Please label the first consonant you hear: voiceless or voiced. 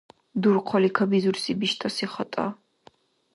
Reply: voiced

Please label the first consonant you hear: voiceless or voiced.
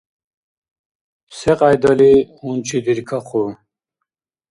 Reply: voiceless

